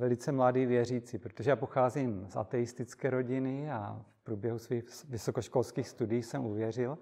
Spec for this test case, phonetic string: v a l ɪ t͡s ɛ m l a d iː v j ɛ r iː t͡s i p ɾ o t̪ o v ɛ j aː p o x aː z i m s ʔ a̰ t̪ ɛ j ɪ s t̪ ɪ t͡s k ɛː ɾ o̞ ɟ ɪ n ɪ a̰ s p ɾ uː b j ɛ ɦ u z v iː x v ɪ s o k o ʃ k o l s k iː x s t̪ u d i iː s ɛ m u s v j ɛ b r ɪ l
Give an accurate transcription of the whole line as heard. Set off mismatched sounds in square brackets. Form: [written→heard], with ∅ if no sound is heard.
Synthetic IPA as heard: v [a→ɛ] l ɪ t͡s ɛ m l a d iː v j ɛ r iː t͡s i p ɾ o t̪ o [v→ʒ] ɛ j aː p o x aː z i m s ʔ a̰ t̪ ɛ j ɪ s t̪ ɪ t͡s k ɛː ɾ o̞ ɟ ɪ n ɪ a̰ [s→f] p ɾ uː b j ɛ ɦ u [z→s] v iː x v ɪ s o k o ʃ k o l s k iː x s t̪ u d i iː s ɛ m u [s→∅] v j ɛ [b→∅] r ɪ l